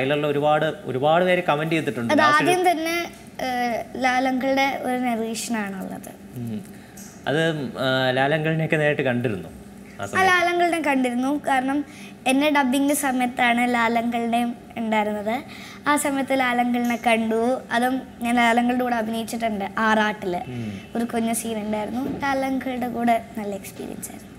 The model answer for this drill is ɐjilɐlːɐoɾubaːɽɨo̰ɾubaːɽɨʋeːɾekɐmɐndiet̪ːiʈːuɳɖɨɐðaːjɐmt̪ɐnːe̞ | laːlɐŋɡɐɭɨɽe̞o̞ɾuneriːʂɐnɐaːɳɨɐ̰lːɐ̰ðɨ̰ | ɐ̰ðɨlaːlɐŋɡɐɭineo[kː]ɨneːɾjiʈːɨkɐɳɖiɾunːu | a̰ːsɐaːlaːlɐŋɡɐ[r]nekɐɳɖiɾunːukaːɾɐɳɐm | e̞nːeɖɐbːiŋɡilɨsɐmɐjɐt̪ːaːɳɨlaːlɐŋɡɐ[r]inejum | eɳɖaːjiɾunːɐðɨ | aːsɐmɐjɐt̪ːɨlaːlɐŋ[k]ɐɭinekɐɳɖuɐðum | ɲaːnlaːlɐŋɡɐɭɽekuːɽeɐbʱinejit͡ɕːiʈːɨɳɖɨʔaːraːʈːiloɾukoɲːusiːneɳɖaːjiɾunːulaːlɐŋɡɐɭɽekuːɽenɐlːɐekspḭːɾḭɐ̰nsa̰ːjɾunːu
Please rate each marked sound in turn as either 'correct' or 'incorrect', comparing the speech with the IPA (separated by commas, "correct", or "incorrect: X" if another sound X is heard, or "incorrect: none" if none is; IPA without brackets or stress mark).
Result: correct, incorrect: ɭ, incorrect: ɭ, incorrect: ɡ